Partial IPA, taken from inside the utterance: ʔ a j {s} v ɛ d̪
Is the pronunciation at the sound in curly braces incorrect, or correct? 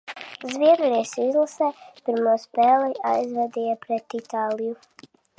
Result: incorrect